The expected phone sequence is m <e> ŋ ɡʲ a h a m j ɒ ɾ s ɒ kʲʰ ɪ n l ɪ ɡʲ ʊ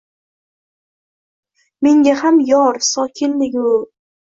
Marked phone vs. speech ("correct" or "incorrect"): correct